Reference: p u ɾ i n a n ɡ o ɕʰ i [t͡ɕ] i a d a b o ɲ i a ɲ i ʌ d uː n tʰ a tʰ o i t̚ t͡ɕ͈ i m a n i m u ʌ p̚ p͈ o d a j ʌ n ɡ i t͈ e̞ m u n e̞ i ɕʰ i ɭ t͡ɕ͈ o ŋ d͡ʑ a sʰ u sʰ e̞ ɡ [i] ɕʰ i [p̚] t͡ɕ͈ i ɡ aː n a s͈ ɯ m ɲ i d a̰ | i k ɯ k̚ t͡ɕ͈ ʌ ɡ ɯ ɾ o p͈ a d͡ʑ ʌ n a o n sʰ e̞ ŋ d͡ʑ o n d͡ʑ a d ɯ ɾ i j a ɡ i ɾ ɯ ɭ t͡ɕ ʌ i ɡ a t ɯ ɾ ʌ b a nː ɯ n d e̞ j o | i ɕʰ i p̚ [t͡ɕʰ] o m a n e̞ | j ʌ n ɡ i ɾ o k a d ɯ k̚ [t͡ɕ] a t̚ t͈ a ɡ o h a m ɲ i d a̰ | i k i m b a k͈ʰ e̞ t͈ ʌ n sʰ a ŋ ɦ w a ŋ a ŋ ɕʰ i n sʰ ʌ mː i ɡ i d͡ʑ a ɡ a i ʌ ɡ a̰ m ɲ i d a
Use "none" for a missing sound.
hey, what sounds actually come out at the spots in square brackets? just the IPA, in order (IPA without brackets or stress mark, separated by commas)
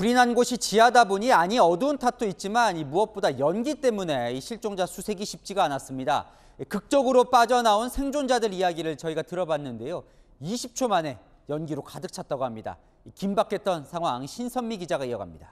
t͡ɕ, i, p̚, t͡ɕʰ, t͡ɕʰ